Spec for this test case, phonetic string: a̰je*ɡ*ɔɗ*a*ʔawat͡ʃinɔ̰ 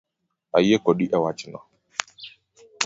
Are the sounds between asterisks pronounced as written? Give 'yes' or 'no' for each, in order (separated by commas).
no, no